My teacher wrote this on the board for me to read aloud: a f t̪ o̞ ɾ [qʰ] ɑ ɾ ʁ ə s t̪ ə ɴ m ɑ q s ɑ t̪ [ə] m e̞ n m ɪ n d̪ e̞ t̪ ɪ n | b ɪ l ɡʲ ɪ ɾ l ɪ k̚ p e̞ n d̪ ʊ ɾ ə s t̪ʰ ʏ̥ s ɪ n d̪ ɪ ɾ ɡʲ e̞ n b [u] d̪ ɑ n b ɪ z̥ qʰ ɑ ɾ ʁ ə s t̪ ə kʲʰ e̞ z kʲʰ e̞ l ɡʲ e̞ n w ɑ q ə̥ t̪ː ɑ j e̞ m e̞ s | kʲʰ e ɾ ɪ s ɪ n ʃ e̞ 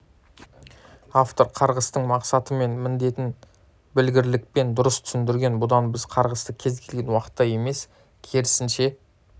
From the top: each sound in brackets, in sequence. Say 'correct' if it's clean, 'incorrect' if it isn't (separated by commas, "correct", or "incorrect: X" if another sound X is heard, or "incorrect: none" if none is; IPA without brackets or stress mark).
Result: correct, correct, incorrect: ʊ